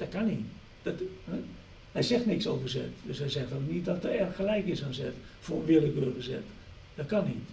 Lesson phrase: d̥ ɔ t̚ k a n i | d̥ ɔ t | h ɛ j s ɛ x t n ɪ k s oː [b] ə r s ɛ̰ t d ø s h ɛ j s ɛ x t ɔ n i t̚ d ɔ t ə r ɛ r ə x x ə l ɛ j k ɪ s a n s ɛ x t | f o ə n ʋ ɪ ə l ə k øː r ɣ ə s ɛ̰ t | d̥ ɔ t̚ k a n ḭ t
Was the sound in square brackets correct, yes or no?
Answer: no